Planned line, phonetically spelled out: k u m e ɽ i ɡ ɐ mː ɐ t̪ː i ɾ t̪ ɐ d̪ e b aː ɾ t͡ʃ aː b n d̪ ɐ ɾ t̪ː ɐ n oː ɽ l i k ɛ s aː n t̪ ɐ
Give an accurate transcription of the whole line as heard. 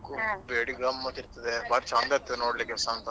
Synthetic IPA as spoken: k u b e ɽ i ɡ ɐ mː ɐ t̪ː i ɾ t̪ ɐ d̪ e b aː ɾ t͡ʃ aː n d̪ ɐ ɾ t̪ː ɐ n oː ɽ l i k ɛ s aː n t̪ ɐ